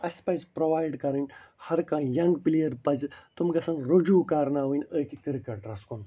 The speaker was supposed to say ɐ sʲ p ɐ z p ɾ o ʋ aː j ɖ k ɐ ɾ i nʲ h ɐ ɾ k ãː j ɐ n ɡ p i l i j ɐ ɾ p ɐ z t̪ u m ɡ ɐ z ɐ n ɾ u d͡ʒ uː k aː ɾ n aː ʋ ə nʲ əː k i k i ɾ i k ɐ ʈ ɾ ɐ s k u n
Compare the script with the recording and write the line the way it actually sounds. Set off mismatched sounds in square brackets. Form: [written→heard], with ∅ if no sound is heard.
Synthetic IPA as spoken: ɐ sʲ p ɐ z p ɾ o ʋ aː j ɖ k ɐ ɾ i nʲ h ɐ ɾ k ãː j ɐ [n→ŋ] ɡ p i l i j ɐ ɾ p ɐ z t̪ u m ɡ ɐ [z→s] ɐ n ɾ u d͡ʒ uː k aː ɾ n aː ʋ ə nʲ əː k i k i ɾ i k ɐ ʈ ɾ ɐ s k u n

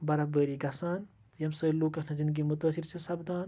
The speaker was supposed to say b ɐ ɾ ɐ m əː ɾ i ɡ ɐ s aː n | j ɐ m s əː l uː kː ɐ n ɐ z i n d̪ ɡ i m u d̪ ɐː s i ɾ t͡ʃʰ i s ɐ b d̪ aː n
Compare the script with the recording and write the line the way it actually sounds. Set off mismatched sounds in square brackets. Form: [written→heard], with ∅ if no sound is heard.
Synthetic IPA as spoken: b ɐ ɾ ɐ [m→b] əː ɾ i ɡ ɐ s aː n | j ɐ m s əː l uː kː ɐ n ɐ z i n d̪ ɡ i m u [d̪→t̪] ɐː s i ɾ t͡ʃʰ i s ɐ b d̪ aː n

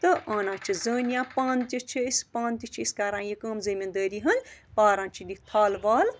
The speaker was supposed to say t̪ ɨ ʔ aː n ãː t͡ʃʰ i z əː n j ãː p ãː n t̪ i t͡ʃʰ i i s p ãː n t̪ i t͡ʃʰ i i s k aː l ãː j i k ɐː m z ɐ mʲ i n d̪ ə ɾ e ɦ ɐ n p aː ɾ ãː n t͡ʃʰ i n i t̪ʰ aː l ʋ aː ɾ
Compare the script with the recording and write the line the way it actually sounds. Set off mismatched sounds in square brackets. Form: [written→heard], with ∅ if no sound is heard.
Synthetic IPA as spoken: t̪ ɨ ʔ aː n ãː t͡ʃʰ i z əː n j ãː p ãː n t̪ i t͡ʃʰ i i s p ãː n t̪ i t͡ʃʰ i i s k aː [l→ɾ] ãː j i k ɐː m z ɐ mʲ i n d̪ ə ɾ [e→i] ɦ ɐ n p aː ɾ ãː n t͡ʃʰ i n i t̪ʰ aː l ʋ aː [ɾ→l]

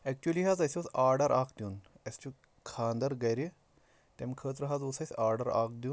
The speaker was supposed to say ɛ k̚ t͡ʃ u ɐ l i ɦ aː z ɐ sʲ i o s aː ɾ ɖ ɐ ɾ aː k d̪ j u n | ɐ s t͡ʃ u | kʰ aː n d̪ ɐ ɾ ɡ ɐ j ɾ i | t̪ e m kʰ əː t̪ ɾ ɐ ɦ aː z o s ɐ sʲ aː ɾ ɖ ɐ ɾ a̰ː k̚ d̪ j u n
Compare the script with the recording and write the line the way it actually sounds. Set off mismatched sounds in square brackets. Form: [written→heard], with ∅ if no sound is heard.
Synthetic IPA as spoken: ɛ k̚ t͡ʃ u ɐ l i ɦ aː z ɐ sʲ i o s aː ɾ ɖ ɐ ɾ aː k d̪ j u n | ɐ s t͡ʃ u | kʰ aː n d̪ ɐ ɾ ɡ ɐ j ɾ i | t̪ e m kʰ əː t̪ ɾ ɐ ɦ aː z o s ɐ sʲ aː ɾ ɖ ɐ ɾ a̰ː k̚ d̪ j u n

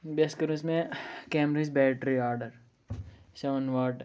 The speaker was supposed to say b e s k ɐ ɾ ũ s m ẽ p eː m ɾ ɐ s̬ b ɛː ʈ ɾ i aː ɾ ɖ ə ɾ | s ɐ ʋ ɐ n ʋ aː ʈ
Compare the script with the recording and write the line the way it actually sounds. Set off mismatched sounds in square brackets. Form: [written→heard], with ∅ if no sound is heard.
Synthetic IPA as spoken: b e s k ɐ ɾ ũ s m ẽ [p→k] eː m ɾ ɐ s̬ b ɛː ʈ ɾ i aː ɾ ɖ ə ɾ | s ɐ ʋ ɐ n ʋ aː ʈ

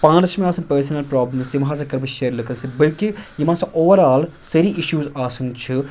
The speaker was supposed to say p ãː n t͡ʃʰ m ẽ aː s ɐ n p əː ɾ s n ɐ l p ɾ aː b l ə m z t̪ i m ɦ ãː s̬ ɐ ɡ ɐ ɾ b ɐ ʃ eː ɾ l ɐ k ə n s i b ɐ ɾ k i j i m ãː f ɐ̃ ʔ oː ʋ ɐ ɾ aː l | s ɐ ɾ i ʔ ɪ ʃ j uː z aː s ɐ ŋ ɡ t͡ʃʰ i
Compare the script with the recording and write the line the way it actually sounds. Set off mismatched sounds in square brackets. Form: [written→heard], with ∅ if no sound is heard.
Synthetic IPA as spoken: p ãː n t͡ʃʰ m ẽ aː s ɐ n p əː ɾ s n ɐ l p ɾ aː b l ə m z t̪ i m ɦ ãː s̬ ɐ [ɡ→k] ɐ ɾ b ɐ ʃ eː ɾ l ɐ k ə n s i b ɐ [ɾ→l] k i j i m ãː [f→s] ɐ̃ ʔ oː ʋ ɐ ɾ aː l | s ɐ ɾ i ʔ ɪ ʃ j uː z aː s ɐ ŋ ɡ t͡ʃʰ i

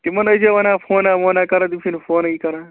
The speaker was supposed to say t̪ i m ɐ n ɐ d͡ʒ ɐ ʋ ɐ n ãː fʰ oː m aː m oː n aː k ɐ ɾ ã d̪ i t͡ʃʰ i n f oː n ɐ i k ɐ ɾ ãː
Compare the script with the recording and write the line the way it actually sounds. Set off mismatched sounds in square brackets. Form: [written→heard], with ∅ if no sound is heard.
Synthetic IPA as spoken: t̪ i m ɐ n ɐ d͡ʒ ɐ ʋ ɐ n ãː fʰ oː [m→n] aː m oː n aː k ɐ ɾ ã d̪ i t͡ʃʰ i n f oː n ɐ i k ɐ ɾ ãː

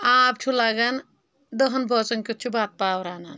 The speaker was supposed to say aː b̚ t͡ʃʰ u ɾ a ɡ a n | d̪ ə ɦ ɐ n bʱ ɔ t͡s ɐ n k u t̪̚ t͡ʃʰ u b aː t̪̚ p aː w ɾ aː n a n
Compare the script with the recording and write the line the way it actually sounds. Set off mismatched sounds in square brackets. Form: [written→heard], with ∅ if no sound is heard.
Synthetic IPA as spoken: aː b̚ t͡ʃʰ u [ɾ→l] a ɡ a n | d̪ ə ɦ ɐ n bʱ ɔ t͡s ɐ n k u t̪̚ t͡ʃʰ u b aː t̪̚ p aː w ɾ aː n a n

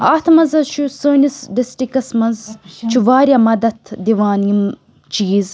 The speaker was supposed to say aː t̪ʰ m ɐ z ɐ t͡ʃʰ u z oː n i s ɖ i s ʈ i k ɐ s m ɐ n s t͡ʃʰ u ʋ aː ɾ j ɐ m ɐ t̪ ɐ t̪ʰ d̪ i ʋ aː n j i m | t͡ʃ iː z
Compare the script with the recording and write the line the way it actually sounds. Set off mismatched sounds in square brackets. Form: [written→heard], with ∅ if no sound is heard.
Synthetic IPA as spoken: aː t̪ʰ m ɐ z ɐ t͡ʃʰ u [z→s] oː n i s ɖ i s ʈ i k ɐ s m ɐ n [s→z] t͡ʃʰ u ʋ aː ɾ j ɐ m ɐ [t̪→d̪] ɐ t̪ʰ d̪ i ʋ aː n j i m | t͡ʃ iː z

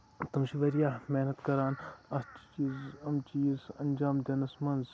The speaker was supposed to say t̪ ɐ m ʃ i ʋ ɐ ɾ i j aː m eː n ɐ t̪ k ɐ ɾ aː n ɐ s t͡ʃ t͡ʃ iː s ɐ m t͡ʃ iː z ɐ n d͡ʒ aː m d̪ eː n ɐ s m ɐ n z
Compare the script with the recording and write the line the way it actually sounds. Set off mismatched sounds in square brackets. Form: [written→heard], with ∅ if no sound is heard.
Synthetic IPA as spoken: t̪ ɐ m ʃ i ʋ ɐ ɾ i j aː m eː n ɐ t̪ k ɐ ɾ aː n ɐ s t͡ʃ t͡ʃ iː [s→z] ɐ m t͡ʃ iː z ɐ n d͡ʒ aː m d̪ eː n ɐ s m ɐ n z

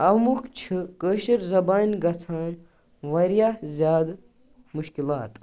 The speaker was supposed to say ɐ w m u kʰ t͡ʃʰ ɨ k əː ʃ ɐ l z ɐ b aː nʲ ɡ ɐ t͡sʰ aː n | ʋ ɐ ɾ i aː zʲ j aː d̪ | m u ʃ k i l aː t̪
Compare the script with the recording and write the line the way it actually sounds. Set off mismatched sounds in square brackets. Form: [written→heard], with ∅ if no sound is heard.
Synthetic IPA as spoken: ɐ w m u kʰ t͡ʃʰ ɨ k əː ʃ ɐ [l→ɾ] z ɐ b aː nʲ ɡ ɐ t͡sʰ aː n | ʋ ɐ ɾ [i→j] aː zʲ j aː d̪ | m u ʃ k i l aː t̪

